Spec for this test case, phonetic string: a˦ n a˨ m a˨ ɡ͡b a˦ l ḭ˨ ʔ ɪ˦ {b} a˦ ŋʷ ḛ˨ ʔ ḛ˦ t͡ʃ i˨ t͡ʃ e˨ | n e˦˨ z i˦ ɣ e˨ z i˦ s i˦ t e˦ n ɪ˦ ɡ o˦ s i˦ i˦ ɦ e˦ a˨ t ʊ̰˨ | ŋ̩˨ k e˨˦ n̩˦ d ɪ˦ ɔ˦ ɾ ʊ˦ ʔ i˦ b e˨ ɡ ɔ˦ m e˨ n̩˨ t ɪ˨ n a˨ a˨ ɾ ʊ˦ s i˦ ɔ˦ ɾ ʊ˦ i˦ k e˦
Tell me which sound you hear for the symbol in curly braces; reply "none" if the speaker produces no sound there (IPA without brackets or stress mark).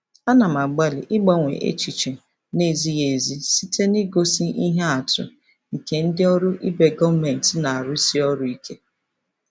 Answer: ɡ͡b